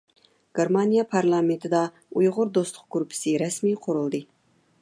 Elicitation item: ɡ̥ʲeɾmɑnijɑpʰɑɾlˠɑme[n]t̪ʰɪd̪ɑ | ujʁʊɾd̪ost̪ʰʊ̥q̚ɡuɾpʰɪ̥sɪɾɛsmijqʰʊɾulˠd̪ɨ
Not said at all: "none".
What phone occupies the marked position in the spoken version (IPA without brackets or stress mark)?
n